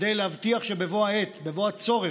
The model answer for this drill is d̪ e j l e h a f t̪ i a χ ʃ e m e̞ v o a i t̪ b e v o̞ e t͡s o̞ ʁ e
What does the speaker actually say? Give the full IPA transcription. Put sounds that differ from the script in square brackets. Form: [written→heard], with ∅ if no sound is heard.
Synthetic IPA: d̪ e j l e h a [f→v] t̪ i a χ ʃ e [m→b] e̞ v o a [i→e] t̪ b e v o̞ [e→a] t͡s o̞ ʁ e